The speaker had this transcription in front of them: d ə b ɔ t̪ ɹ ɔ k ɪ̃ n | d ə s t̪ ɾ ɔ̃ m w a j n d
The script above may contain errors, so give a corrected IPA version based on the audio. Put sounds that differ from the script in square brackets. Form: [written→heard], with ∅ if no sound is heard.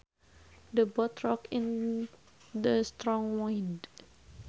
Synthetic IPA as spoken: d ə b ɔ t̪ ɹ ɔ k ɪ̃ n | d ə s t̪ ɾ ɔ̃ [m→ŋ] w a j n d